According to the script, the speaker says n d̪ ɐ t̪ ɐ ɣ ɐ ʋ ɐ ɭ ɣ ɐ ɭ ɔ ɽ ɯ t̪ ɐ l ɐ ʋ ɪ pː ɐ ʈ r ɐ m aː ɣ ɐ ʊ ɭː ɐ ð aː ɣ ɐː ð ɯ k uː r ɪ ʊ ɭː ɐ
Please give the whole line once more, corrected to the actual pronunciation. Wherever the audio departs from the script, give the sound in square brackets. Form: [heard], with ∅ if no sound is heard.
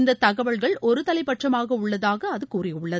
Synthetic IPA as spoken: n d̪ ɐ t̪ ɐ ɣ ɐ ʋ ɐ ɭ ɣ ɐ ɭ ɔ [ɾ] ɯ t̪ ɐ l ɐ [∅] ɪ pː ɐ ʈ r ɐ m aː ɣ ɐ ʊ ɭː ɐ ð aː ɣ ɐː ð ɯ k uː r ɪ ʊ ɭː ɐ